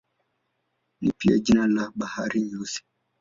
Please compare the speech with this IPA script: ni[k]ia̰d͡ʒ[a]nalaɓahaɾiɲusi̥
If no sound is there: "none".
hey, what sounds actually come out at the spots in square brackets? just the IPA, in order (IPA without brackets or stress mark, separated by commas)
p, i